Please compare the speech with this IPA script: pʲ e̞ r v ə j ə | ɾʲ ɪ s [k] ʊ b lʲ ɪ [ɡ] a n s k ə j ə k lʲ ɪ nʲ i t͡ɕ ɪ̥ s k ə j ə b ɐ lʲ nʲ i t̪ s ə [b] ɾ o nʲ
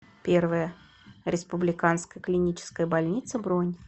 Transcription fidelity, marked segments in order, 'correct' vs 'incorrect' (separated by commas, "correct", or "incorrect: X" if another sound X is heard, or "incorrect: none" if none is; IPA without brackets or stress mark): incorrect: p, incorrect: k, correct